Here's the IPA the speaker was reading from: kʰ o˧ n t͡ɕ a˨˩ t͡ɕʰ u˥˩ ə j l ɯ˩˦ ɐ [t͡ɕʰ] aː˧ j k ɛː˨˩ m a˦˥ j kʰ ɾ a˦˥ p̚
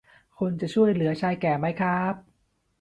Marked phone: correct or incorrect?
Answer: correct